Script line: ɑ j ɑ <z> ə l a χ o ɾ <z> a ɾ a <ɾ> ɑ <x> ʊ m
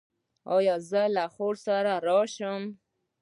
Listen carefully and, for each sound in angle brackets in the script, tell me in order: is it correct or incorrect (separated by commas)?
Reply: correct, incorrect, correct, incorrect